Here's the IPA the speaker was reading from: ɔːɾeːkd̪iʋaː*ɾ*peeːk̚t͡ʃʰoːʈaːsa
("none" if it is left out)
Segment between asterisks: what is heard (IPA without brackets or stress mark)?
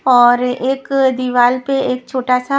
l